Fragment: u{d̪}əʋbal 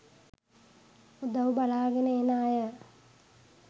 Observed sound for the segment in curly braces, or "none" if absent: d̪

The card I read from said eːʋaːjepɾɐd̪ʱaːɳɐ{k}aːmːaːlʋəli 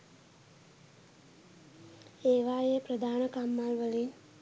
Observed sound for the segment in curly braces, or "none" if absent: k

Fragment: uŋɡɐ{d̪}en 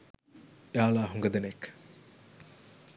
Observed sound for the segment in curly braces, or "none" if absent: d̪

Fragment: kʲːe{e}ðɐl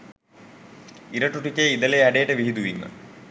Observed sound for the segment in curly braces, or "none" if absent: i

